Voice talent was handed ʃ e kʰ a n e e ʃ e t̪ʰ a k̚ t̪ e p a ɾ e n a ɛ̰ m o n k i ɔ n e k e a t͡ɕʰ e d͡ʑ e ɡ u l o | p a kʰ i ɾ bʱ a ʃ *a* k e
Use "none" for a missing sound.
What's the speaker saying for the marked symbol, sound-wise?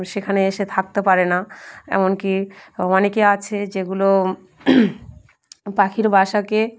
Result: a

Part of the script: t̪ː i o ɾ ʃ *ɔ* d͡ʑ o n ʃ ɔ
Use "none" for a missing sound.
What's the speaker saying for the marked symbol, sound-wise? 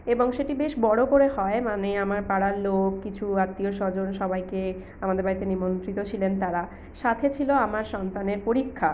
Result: ɔ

